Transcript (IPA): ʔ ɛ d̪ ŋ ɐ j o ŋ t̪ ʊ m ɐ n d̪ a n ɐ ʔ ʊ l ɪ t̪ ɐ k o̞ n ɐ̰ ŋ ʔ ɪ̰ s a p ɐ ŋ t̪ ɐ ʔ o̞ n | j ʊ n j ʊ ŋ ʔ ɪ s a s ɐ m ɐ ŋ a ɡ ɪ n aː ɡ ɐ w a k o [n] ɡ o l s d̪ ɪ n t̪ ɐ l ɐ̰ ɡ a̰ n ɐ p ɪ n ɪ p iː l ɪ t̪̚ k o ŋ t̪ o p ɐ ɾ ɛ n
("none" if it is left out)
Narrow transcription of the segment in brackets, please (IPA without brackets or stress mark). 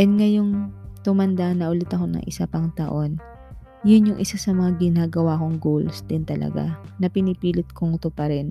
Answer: ŋ